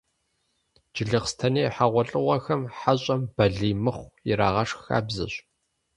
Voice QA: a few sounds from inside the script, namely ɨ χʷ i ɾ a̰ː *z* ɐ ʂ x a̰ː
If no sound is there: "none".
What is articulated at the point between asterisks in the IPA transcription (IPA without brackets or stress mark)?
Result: ʁ